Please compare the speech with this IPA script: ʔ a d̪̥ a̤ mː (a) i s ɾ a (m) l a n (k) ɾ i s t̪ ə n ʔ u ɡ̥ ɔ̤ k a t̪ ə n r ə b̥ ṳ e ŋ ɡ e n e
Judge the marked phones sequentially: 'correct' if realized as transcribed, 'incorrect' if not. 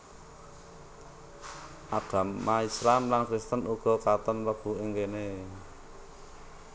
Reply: correct, correct, correct

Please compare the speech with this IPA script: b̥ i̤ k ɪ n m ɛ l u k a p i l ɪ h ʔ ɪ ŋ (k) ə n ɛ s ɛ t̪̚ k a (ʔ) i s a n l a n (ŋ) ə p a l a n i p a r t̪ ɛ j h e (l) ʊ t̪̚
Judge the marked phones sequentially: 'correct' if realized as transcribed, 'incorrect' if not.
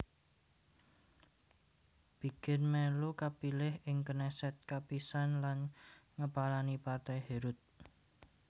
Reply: correct, incorrect: p, correct, incorrect: ɾ

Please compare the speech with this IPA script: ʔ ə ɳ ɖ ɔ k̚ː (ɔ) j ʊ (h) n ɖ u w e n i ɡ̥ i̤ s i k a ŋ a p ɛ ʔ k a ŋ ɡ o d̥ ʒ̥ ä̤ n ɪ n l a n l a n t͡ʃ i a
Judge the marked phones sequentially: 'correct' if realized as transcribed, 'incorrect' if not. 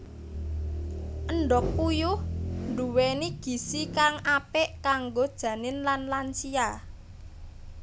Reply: incorrect: u, correct

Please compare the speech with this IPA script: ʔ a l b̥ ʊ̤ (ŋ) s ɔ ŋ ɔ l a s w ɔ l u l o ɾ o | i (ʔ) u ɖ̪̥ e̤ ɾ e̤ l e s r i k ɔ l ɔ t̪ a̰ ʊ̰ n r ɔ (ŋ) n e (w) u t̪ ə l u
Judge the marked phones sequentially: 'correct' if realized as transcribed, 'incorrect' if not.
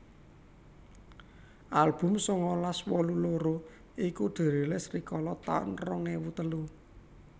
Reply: incorrect: m, incorrect: k, correct, correct

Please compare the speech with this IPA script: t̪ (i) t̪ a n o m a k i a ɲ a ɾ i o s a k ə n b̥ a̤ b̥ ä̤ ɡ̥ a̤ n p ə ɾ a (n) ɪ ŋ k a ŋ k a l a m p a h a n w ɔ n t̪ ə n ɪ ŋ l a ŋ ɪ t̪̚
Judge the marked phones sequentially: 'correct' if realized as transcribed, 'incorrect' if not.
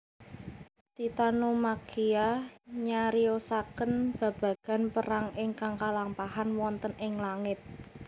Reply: correct, incorrect: ŋ

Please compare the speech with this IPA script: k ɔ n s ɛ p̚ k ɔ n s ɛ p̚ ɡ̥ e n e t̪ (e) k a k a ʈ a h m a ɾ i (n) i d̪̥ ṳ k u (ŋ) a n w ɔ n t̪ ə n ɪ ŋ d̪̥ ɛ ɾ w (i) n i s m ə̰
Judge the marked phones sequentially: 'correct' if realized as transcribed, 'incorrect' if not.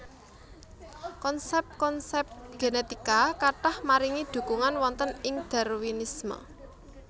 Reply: incorrect: i, incorrect: ŋ, correct, correct

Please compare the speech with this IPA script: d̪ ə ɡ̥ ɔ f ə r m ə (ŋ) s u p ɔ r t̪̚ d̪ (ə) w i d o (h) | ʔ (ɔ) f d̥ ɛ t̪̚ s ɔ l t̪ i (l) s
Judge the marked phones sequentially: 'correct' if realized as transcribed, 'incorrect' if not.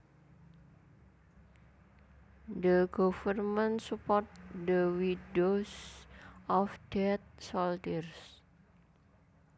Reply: incorrect: n, correct, incorrect: s, correct, incorrect: r

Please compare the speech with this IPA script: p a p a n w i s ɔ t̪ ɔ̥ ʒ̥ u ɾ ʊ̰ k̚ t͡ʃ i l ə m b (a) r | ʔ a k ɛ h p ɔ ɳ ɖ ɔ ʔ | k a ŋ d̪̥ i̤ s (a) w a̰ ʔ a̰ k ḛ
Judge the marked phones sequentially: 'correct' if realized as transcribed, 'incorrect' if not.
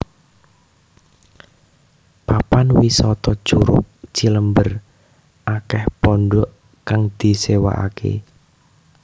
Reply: incorrect: ə, incorrect: e

